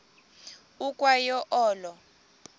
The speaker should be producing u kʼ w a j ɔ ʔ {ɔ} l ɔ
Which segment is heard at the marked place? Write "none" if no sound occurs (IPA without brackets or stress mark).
ɔː